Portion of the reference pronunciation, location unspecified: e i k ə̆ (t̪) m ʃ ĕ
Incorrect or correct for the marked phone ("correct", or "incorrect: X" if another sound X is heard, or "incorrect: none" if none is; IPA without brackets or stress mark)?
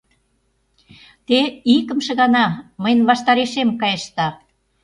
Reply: incorrect: none